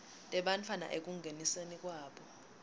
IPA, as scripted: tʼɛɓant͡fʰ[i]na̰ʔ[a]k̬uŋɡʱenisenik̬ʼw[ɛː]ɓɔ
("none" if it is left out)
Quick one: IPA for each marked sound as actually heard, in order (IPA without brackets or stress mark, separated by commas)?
a, e, aː